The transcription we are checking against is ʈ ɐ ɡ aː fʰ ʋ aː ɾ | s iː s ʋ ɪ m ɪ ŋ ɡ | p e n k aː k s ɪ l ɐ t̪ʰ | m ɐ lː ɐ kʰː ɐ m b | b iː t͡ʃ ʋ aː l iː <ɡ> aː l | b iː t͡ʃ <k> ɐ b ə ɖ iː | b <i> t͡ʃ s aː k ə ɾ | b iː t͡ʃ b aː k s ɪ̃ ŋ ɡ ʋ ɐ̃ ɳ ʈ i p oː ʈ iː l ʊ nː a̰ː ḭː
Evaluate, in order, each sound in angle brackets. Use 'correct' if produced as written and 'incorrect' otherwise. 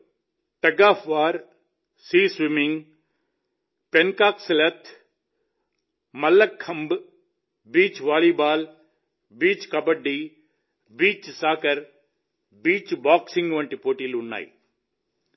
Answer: incorrect: b, correct, incorrect: iː

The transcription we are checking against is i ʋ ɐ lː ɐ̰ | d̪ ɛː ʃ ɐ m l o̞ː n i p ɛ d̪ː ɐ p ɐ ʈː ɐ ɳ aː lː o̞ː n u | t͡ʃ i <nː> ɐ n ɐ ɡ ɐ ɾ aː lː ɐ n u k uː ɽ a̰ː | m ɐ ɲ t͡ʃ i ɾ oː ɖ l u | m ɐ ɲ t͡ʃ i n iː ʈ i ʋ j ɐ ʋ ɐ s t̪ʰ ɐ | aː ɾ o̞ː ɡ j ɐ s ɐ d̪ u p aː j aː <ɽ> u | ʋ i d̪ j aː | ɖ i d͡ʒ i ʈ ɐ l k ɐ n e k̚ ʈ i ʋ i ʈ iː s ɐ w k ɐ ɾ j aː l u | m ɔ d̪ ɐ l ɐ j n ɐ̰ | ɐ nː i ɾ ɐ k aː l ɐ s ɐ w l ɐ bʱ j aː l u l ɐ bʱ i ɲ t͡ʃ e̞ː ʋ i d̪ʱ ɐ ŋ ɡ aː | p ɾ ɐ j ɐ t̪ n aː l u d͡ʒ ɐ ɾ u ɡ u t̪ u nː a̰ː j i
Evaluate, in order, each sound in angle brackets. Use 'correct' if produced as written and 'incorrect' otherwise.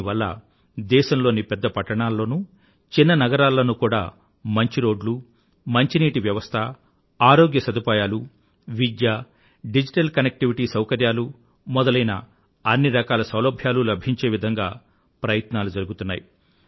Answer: correct, incorrect: l

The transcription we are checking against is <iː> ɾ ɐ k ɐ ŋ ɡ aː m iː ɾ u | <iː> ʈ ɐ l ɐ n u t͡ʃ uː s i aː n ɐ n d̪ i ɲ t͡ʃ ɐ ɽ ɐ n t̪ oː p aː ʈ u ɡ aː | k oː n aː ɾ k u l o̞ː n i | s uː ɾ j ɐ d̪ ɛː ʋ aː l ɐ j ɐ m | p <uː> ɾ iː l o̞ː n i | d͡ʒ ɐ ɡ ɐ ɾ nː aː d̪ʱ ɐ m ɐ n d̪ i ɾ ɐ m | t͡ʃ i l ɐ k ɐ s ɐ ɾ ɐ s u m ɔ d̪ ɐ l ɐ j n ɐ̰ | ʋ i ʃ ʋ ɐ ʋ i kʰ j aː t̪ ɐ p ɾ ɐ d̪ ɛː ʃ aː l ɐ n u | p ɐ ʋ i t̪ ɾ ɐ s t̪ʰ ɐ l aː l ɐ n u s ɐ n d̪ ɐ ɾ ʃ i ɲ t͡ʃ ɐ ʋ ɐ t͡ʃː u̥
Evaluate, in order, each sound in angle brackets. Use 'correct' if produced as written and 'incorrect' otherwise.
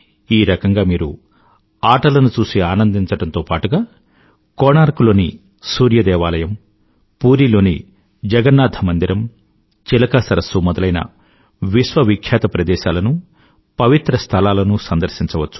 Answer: correct, incorrect: aː, correct

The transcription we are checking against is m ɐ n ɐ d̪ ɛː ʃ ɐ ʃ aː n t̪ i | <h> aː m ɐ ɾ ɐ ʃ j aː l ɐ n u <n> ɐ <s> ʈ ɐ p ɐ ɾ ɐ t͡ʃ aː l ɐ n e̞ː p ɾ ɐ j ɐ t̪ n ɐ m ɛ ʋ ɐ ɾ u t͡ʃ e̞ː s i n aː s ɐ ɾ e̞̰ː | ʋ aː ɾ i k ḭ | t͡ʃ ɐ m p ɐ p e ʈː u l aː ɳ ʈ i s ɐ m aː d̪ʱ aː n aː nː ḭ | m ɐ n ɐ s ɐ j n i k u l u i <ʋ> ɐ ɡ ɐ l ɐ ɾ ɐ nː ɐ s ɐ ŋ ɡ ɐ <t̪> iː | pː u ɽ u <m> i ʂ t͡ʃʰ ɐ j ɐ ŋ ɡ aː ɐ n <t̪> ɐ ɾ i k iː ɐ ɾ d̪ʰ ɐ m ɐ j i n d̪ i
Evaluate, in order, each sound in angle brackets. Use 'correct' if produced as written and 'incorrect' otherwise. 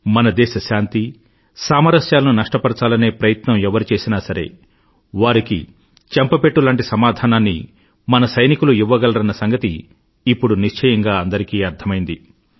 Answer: incorrect: s, correct, incorrect: ʂ, incorrect: ʋː, correct, incorrect: n, incorrect: d̪

